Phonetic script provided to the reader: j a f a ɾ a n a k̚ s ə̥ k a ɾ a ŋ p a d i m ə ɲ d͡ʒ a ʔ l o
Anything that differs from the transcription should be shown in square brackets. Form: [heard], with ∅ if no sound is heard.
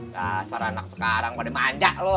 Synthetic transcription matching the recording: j a [s] a ɾ a n a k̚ s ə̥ k a ɾ a ŋ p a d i m [a] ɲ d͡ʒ a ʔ l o

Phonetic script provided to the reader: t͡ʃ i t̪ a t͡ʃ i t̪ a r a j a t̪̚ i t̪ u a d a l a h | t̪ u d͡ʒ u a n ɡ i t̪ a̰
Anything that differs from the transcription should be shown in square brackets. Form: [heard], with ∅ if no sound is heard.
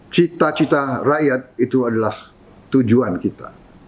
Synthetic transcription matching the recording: t͡ʃ i t̪ a t͡ʃ i t̪ a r a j a t̪̚ i t̪ u a d a l a h | t̪ u d͡ʒ u a n [k] i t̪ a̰

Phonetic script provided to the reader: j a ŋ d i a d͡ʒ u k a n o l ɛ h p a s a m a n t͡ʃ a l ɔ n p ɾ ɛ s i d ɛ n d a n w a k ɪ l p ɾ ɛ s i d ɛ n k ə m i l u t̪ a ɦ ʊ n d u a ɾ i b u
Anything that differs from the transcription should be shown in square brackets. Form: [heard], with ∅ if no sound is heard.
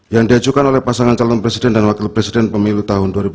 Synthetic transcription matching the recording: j a ŋ d i a d͡ʒ u k a n o l ɛ h p a s a [ŋ] a n t͡ʃ a l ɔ n p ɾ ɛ s i d ɛ n d a n w a k ɪ l p ɾ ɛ s i d ɛ n [p] ə m i l u t̪ a ɦ ʊ n d u a ɾ i b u

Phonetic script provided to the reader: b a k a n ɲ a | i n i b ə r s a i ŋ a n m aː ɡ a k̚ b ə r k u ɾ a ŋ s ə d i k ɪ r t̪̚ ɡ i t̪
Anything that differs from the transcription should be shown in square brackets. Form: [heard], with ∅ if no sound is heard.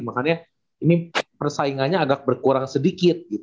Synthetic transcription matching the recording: [m] a k a n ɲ a | i n i [p] ə r s a i ŋ a n [ɲ] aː ɡ a k̚ b ə r k u ɾ a ŋ s ə d i k ɪ [∅] t̪̚ ɡ i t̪

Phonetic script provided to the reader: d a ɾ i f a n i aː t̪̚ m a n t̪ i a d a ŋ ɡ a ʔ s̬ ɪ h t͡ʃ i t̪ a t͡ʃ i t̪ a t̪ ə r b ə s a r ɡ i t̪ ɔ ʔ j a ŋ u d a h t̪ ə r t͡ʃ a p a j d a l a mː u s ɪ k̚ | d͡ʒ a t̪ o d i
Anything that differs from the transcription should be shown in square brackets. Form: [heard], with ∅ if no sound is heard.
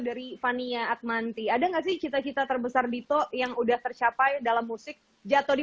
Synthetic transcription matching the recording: d a ɾ i f a n i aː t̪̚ m a n t̪ i a d a ŋ ɡ a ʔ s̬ ɪ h t͡ʃ i t̪ a t͡ʃ i t̪ a t̪ ə r b ə s a r [d] i t̪ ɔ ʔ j a ŋ u d a h t̪ ə r t͡ʃ a p a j d a l a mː u s ɪ k̚ | d͡ʒ a t̪ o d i

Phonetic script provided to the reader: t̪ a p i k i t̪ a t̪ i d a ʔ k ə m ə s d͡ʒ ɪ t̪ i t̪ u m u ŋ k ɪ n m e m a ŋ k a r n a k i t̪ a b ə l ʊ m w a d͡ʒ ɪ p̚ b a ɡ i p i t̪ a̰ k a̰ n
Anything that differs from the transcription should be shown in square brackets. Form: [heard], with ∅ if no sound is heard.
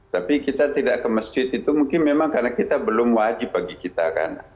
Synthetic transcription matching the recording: t̪ a p i k i t̪ a t̪ i d a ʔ k ə m ə s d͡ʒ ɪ t̪ i t̪ u m u ŋ k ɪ n m e m a ŋ k a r n a k i t̪ a b ə l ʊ m w a d͡ʒ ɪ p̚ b a ɡ i [k] i t̪ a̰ k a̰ n

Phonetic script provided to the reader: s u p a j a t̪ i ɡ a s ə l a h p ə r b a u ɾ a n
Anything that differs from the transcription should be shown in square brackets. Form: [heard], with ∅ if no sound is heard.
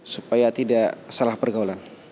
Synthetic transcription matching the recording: s u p a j a t̪ i [d] a s [a] l a h p ə r [ɡ] a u [l] a n

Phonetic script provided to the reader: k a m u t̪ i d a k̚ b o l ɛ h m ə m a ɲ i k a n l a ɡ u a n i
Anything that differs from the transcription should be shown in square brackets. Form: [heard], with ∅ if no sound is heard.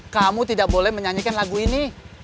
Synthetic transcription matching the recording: k a m u t̪ i d a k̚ b o l ɛ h m ə [ɲ] a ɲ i k a n l a ɡ u [i] n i

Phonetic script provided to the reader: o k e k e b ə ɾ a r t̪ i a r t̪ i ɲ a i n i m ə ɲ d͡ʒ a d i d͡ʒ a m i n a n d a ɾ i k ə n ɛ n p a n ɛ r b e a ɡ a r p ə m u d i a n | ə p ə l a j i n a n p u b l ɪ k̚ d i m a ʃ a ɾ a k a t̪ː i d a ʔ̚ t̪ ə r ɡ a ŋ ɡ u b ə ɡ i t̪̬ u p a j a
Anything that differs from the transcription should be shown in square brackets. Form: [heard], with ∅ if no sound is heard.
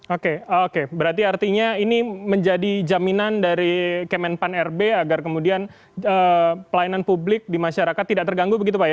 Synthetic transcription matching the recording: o k e k e b ə ɾ a r t̪ i a r t̪ i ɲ a i n i m ə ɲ d͡ʒ a d i d͡ʒ a m i n a n d a ɾ i k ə [m] ɛ n p a n ɛ r b e a ɡ a r [k] ə m u d i a n | ə p ə l a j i n a n p u b l ɪ k̚ d i m a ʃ a ɾ a k a t̪ː i d a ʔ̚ t̪ ə r ɡ a ŋ ɡ u b ə ɡ i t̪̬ u p a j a

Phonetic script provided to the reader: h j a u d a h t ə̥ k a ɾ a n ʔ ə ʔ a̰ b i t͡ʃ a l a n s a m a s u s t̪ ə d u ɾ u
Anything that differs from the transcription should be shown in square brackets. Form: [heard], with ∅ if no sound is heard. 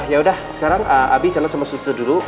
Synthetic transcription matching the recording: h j a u d a h [s] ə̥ k a ɾ a [ŋ] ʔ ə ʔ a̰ b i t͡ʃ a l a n s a m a s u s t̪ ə d u [l] u

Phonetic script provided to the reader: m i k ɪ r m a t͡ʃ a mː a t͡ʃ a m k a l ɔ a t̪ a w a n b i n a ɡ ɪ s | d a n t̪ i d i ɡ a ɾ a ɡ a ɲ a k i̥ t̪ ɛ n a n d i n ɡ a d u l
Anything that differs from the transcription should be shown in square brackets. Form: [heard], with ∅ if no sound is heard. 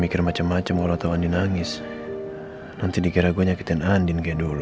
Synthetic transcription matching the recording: m i k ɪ r m a t͡ʃ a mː a t͡ʃ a m k a l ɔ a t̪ a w a n [d] i n a [ŋ] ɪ s | [n] a n t̪ i d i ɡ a ɾ a ɡ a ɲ a k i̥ t̪ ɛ n a n d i n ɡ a d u l

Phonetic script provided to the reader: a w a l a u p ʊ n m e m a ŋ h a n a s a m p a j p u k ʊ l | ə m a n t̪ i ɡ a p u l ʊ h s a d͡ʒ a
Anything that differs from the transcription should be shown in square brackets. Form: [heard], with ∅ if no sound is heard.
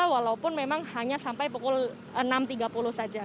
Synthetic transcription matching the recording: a w a l a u p ʊ n m e m a ŋ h a [ɲ] a s a m p a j p u k ʊ l | ə [n] a [m] t̪ i ɡ a p u l ʊ h s a d͡ʒ a

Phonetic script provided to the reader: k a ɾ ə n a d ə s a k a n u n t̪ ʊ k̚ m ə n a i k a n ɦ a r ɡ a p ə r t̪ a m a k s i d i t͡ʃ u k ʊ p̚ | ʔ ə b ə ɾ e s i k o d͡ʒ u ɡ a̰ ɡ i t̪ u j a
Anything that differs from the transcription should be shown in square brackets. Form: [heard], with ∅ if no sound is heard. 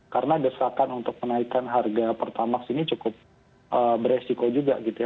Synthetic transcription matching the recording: k a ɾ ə n a d ə s a k a n u n t̪ ʊ k̚ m ə n a i k a n ɦ a r ɡ a p ə r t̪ a m a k s i [n] i t͡ʃ u k ʊ p̚ | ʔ ə b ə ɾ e s i k o d͡ʒ u ɡ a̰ ɡ i t̪ u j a

